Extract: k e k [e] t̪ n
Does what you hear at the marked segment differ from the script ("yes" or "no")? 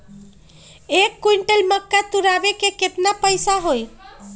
no